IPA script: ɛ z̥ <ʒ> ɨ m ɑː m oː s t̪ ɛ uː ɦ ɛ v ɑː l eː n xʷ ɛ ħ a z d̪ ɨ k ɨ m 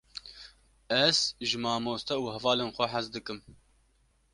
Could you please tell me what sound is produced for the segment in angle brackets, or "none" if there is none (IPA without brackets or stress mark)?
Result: ʒ